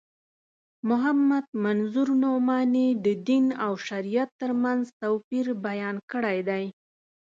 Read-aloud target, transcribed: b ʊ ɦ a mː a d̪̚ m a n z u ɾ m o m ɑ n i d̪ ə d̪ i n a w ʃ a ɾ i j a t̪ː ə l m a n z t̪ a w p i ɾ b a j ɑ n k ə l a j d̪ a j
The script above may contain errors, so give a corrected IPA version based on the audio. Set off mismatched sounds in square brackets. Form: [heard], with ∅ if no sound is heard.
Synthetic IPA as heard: [m] ʊ ɦ a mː a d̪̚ m a n z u ɾ [n] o m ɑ n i d̪ ə d̪ i n a w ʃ a ɾ i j a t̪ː ə [ɾ] m a n z t̪ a w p i ɾ b a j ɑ n k ə [ɽ] a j d̪ a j